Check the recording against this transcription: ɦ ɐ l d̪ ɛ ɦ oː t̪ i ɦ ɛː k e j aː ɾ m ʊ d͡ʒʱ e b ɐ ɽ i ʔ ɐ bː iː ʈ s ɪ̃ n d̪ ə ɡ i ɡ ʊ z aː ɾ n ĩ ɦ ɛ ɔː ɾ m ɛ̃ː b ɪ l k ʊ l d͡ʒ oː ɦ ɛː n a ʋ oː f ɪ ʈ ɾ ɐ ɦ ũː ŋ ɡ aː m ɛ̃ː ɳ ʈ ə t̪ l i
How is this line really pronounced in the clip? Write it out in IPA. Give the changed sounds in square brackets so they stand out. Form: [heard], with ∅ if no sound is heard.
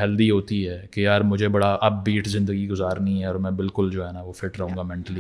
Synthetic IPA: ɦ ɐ l d̪ [i] ɦ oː t̪ i ɦ ɛː k e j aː ɾ m ʊ d͡ʒʱ e b ɐ ɽ [a] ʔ ɐ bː iː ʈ [z] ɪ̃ n d̪ ə ɡ i ɡ ʊ z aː ɾ n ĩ ɦ ɛ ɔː ɾ m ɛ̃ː b ɪ l k ʊ l d͡ʒ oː ɦ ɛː n a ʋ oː f ɪ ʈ ɾ ɐ ɦ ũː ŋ ɡ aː m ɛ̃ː ɳ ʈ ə [∅] l i